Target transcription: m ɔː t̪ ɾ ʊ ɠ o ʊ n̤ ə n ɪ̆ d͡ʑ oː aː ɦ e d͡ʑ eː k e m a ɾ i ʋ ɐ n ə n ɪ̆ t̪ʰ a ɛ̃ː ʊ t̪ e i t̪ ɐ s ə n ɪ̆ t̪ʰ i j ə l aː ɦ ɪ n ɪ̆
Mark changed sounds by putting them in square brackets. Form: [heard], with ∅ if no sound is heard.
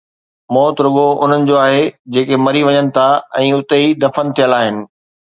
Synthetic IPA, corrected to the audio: m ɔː t̪ ɾ ʊ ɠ o ʊ n̤ ə n ɪ̆ d͡ʑ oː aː ɦ e d͡ʑ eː k e m [ɐ] ɾ i ʋ ɐ [ɲ] ə n ɪ̆ t̪ʰ a ɛ̃ː ʊ t̪ e i [d̪] ɐ [f] ə n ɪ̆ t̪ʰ i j ə l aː ɦ ɪ n ɪ̆